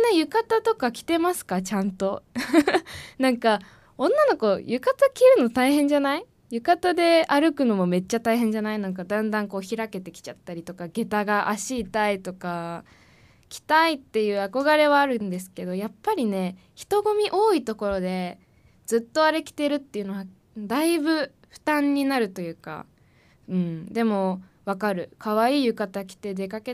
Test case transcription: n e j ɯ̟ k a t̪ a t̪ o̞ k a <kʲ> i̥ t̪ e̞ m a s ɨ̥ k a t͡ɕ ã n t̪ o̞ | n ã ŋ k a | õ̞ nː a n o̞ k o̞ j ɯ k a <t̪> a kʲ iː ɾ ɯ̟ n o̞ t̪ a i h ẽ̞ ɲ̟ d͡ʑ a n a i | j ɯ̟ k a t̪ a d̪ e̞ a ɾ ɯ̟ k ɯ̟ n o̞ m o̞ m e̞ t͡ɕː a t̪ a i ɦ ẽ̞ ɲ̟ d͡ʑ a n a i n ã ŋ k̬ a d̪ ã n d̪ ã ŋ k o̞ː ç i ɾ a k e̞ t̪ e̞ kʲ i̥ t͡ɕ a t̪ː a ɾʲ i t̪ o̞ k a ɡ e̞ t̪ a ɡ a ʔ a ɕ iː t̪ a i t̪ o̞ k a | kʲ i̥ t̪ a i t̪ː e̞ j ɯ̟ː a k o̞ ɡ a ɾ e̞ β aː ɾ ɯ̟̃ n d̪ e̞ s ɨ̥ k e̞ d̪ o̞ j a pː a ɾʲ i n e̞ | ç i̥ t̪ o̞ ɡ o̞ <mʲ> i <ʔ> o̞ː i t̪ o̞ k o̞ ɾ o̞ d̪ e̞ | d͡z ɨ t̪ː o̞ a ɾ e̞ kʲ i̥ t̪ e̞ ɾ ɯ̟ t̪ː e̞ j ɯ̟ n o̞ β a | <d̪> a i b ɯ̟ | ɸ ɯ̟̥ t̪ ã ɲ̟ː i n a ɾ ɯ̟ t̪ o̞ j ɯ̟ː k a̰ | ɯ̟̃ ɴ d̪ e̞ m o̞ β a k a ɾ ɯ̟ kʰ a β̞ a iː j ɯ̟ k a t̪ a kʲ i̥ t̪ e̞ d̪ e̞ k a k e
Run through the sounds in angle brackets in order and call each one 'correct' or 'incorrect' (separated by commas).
correct, correct, correct, correct, correct